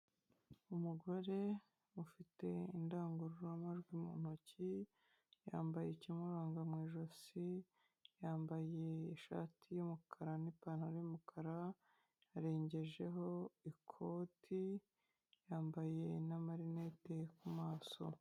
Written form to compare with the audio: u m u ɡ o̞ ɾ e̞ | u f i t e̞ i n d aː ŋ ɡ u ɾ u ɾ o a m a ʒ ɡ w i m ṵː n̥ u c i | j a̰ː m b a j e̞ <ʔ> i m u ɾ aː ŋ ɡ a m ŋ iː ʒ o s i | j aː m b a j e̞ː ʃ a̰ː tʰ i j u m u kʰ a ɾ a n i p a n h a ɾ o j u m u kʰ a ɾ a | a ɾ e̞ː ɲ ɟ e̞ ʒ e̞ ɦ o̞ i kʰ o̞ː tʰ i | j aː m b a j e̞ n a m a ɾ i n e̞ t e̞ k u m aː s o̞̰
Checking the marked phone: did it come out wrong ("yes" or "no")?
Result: yes